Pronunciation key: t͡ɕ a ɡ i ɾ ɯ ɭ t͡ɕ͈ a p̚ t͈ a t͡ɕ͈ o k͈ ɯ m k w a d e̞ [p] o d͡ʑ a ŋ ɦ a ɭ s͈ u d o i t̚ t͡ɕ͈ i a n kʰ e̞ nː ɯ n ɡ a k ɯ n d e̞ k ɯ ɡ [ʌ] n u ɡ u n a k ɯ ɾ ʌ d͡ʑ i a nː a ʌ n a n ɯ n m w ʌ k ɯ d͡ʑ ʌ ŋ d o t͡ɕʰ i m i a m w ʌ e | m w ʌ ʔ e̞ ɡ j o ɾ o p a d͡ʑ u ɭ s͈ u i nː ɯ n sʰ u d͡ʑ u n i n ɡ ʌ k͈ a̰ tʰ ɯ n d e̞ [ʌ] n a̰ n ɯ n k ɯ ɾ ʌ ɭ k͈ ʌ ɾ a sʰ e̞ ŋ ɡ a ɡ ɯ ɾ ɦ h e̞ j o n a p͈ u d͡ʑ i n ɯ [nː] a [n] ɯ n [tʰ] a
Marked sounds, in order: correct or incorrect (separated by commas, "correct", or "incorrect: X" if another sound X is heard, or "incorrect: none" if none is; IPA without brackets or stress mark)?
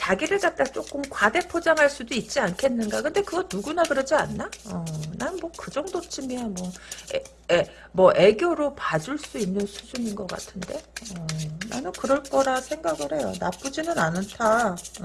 incorrect: pʰ, correct, correct, incorrect: n, correct, correct